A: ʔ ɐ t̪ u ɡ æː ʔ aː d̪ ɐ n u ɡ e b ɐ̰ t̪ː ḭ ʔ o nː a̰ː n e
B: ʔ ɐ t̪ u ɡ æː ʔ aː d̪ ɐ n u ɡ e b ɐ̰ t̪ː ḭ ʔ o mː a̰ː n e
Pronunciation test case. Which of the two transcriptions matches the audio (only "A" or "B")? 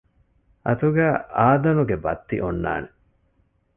A